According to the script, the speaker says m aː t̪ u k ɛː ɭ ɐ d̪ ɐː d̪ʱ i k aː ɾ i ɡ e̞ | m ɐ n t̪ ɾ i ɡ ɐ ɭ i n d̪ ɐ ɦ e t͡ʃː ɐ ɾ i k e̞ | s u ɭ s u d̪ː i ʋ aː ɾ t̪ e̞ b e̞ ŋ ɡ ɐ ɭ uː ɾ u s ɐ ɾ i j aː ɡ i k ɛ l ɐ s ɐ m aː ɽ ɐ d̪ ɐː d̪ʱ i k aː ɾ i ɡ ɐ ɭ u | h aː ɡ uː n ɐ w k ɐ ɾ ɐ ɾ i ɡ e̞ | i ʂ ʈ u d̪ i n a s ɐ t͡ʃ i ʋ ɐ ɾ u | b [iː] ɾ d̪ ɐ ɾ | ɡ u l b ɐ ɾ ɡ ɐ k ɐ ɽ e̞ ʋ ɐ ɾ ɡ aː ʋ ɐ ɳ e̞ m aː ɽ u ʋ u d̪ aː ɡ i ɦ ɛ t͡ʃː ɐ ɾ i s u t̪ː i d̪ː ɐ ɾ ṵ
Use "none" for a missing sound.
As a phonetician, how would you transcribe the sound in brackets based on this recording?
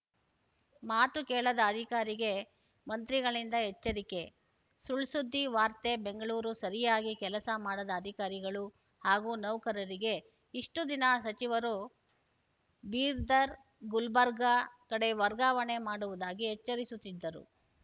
iː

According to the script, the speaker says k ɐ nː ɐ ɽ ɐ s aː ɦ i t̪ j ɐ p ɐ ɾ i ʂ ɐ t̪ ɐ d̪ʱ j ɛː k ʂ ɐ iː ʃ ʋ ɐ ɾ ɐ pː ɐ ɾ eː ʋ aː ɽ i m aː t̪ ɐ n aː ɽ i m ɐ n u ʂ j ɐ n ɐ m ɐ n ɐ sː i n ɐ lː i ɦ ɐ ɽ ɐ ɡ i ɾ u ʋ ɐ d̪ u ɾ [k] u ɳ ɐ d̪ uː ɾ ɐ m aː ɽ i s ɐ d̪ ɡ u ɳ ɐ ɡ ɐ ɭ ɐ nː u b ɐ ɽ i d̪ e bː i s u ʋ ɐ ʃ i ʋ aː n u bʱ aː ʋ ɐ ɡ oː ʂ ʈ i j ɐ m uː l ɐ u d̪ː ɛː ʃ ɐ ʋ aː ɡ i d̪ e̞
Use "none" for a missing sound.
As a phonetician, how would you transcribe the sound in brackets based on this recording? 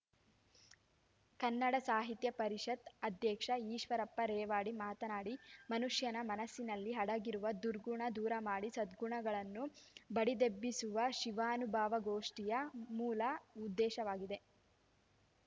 ɡ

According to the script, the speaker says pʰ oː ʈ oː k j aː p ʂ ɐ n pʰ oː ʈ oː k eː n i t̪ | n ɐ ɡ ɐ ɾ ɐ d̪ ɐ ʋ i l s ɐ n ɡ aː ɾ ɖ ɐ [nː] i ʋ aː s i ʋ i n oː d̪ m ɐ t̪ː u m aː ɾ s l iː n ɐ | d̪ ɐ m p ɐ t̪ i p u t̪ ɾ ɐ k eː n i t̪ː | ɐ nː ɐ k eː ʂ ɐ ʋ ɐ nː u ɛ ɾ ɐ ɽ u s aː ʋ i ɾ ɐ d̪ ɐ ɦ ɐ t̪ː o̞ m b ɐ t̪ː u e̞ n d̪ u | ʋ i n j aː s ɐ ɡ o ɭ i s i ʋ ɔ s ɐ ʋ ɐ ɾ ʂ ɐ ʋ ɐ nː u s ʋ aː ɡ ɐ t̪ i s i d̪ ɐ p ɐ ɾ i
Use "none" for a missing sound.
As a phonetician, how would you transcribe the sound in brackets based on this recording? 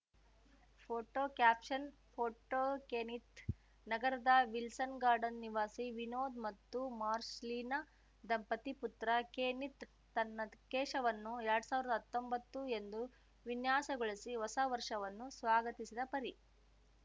nː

